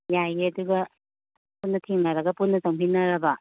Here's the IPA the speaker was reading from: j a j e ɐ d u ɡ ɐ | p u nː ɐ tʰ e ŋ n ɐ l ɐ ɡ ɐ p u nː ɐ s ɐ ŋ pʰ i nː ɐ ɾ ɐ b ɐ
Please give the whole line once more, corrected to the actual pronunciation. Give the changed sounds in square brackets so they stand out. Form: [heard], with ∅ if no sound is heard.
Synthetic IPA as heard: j a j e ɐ d u ɡ ɐ | p u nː ɐ tʰ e ŋ n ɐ [ɾ] ɐ ɡ ɐ p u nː ɐ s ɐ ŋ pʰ i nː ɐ ɾ ɐ b ɐ